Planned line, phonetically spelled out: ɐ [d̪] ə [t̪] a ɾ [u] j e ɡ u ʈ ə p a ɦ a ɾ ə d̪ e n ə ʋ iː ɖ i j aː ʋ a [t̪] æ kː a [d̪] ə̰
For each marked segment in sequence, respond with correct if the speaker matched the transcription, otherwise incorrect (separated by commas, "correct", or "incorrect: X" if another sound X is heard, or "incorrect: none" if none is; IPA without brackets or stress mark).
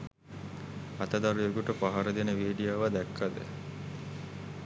incorrect: t̪, incorrect: d̪, correct, incorrect: d̪, correct